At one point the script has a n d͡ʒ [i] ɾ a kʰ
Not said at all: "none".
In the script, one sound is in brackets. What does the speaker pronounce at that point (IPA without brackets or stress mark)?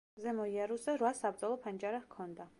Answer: a